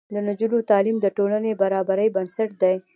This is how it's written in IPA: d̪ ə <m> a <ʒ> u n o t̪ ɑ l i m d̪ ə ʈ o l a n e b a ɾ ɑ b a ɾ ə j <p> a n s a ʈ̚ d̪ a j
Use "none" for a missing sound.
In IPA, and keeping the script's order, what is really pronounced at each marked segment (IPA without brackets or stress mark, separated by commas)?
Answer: n, d͡ʒ, b